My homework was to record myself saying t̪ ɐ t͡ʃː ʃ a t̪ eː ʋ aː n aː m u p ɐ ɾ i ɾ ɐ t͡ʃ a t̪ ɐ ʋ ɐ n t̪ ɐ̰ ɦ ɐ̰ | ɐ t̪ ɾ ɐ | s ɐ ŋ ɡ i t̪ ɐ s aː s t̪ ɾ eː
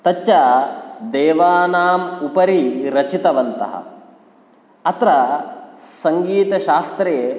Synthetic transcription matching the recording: t̪ ɐ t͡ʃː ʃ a d̪ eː ʋ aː n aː m u p ɐ ɾ i ɾ ɐ t͡ʃ i t̪ ɐ ʋ ɐ n t̪ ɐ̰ ɦ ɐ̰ | ɐ t̪ ɾ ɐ | s ɐ ŋ ɡ iː t̪ ɐ ʃ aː s t̪ ɾ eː

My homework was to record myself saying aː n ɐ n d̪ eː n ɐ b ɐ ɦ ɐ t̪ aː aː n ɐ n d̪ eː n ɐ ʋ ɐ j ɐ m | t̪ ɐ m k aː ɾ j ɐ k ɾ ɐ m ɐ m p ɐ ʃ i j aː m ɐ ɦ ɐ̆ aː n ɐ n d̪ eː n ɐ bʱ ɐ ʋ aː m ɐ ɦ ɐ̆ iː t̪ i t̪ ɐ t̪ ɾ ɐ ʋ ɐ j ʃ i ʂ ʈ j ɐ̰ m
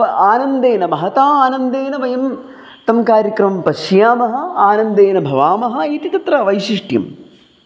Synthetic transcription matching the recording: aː n ɐ n d̪ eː n ɐ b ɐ ɦ ɐ t̪ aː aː n ɐ n d̪ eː n ɐ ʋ ɐ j ɐ m | t̪ ɐ m k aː ɾ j ɐ k ɾ ɐ m ɐ m p ɐ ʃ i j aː m ɐ ɦ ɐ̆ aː n ɐ n d̪ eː n ɐ bʱ ɐ ʋ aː m ɐ ɦ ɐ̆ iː t̪ i t̪ ɐ t̪ ɾ ɐ ʋ ɐ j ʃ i ʂ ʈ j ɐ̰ m

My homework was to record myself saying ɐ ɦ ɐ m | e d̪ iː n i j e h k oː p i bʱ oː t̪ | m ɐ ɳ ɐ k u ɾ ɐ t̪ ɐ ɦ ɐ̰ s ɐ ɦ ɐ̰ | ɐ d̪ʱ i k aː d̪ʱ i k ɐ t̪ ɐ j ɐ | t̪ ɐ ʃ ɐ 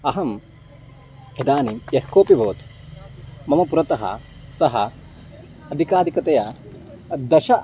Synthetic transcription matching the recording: ɐ ɦ ɐ m | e d̪ aː n i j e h k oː p i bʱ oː t̪ | m ɐ m ɐ p u ɾ ɐ t̪ ɐ ɦ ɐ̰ s ɐ ɦ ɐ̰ | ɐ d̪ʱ i k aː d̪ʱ i k ɐ t̪ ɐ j ɐ | d̪ ɐ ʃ ɐ

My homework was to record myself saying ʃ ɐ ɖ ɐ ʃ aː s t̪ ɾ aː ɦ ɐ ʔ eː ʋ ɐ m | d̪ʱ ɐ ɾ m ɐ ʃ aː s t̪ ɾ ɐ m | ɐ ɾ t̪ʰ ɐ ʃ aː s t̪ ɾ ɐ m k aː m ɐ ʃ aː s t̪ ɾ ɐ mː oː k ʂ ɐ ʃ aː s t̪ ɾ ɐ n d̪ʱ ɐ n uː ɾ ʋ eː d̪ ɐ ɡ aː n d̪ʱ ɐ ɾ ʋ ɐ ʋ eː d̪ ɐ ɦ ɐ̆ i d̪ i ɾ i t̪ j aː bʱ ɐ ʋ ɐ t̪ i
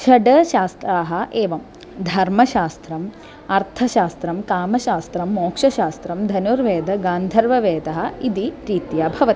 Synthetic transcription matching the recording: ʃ ɐ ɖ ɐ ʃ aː s t̪ ɾ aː ɦ ɐ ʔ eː ʋ ɐ m | d̪ʱ ɐ ɾ m ɐ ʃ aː s t̪ ɾ ɐ m | ɐ ɾ t̪ʰ ɐ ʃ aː s t̪ ɾ ɐ m k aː m ɐ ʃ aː s t̪ ɾ ɐ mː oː k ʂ ɐ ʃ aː s t̪ ɾ ɐ m d̪ʱ ɐ n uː ɾ ʋ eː d̪ ɐ ɡ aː n d̪ʱ ɐ ɾ ʋ ɐ ʋ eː d̪ ɐ ɦ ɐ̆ i d̪ i ɾ i t̪ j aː bʱ ɐ ʋ ɐ t̪ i

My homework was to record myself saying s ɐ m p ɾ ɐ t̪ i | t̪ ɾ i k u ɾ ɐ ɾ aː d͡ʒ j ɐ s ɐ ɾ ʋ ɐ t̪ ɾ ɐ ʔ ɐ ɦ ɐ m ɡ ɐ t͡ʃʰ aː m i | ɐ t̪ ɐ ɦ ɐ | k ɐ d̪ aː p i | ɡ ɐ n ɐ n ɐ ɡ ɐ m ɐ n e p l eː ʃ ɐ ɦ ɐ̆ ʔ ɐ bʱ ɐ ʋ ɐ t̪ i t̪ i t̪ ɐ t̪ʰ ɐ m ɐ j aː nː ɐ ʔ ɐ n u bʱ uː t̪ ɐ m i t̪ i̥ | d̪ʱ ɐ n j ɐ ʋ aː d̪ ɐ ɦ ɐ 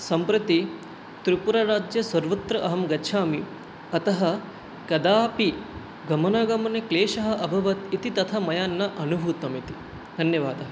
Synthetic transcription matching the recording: s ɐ m p ɾ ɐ t̪ i | t̪ ɾ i p u ɾ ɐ ɾ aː d͡ʒ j ɐ s ɐ ɾ ʋ ɐ t̪ ɾ ɐ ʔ ɐ ɦ ɐ m ɡ ɐ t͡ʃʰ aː m i | ɐ t̪ ɐ ɦ ɐ | k ɐ d̪ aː p i | ɡ ɐ m ɐ n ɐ ɡ ɐ m ɐ n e k l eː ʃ ɐ ɦ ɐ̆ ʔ ɐ bʱ ɐ ʋ ɐ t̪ i t̪ i t̪ ɐ t̪ʰ ɐ m ɐ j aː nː ɐ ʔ ɐ n u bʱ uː t̪ ɐ m i t̪ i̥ | d̪ʱ ɐ n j ɐ ʋ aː d̪ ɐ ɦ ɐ

